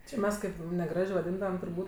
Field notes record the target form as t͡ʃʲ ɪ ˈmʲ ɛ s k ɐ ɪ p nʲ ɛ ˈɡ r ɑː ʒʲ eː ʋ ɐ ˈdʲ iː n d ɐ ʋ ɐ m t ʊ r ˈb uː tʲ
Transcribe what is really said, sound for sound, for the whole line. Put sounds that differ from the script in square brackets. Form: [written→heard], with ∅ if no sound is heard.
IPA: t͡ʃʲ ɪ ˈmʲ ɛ s k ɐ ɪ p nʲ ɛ ˈɡ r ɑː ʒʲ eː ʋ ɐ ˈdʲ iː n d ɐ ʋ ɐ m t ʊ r ˈb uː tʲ